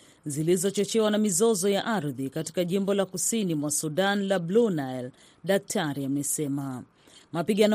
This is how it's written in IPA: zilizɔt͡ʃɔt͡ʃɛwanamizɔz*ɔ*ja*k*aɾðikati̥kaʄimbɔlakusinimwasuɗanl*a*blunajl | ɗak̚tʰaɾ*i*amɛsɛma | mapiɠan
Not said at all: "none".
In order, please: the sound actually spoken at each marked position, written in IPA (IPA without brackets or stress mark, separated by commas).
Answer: ɔ, ʔ, a, i